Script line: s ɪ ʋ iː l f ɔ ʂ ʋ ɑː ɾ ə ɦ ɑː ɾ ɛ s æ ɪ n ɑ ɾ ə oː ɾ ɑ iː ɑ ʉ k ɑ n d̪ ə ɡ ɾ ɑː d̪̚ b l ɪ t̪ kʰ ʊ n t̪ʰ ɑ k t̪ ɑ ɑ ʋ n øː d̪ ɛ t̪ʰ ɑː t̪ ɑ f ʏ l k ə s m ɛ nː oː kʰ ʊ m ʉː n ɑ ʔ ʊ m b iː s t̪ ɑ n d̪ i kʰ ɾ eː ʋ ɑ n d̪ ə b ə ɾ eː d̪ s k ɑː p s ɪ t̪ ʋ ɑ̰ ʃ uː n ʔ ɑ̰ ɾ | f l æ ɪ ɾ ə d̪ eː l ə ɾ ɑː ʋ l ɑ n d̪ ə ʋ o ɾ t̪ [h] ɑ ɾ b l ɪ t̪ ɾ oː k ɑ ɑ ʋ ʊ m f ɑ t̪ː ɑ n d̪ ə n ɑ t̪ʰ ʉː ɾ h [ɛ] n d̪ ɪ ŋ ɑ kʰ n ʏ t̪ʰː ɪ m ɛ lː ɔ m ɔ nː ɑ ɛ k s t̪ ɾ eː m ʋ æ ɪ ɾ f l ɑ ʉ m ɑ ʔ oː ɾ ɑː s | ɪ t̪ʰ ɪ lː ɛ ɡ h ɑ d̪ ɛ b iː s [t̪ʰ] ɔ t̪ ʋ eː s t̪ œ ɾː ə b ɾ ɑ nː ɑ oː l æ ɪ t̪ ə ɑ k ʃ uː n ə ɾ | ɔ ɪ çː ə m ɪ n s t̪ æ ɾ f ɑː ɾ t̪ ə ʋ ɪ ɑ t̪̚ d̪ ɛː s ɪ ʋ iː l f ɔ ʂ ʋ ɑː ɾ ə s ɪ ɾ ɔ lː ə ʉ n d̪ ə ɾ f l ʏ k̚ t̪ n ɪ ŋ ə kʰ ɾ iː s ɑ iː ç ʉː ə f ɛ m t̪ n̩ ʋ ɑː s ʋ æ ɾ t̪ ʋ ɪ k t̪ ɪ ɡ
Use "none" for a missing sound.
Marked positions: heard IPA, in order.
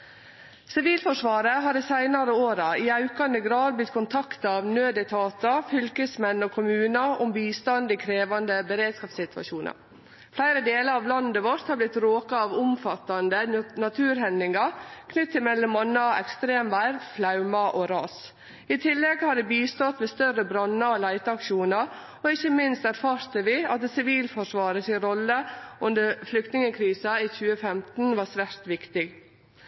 h, ɛ, t̪

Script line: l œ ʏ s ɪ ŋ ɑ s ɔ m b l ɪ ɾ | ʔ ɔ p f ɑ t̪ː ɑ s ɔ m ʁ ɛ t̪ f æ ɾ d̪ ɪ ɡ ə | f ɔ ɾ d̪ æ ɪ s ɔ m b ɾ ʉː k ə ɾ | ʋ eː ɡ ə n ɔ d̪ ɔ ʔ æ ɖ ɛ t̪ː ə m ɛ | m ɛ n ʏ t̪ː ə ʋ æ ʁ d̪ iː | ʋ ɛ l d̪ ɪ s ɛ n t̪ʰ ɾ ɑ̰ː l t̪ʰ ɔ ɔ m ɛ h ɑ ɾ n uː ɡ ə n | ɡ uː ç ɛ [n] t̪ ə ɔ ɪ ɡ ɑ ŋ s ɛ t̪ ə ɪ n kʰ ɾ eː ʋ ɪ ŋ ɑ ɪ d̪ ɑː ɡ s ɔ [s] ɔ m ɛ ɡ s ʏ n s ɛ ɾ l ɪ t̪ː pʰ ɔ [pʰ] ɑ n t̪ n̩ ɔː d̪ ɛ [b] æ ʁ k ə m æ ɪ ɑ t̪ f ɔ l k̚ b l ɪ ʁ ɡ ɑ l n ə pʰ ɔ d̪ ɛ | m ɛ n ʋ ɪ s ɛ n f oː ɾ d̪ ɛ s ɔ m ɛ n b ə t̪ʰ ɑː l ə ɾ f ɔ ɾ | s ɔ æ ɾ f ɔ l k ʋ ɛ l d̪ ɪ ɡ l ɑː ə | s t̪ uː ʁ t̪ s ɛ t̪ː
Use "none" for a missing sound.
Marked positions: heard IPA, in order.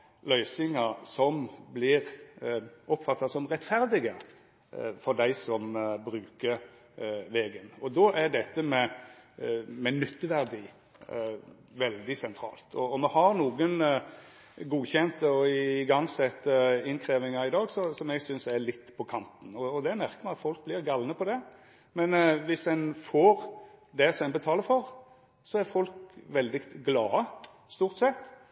n, s, kʰ, m

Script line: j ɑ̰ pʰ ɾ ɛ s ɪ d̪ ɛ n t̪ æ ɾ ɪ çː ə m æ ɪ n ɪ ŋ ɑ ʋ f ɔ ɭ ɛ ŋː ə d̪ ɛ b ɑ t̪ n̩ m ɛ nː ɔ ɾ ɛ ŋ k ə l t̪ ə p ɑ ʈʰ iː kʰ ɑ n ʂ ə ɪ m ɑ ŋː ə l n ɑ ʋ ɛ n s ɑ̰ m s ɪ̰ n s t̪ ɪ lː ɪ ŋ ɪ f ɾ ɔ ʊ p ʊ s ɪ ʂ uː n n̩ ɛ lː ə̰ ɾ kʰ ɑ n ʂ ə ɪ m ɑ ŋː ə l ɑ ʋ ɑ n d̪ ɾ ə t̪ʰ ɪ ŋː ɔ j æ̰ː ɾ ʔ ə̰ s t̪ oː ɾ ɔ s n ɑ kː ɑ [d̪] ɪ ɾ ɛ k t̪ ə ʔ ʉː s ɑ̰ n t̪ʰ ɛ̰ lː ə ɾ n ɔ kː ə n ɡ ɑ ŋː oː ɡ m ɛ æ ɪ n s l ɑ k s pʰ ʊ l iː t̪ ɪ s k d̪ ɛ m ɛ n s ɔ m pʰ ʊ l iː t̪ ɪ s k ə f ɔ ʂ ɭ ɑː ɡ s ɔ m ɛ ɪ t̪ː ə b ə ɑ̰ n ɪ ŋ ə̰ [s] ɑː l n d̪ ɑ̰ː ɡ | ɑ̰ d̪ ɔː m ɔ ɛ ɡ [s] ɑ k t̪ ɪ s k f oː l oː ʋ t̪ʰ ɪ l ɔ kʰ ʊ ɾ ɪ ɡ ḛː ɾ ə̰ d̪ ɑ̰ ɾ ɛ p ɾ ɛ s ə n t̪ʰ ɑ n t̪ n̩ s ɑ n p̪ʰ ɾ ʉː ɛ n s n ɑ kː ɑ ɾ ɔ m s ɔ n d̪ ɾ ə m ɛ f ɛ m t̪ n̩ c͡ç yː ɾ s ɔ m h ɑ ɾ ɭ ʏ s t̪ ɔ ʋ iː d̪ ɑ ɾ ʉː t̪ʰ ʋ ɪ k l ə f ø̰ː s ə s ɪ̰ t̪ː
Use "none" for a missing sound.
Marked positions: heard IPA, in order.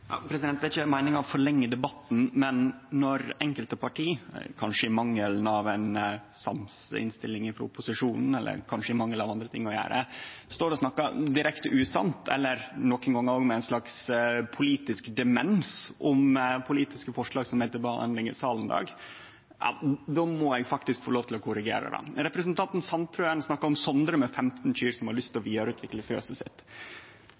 d̪, s, f

